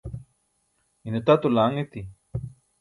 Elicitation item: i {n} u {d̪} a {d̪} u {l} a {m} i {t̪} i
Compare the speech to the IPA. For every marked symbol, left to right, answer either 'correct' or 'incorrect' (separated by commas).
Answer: correct, incorrect, incorrect, correct, incorrect, correct